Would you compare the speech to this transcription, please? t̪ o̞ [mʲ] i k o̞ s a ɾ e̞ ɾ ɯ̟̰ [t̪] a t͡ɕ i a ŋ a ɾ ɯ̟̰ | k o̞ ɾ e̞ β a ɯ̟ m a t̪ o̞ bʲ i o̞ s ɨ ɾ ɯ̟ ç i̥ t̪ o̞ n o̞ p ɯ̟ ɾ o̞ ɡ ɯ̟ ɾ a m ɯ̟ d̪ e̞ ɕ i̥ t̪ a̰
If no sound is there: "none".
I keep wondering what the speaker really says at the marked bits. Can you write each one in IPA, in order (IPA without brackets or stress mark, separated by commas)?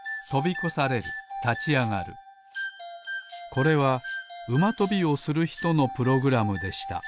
bʲ, t̪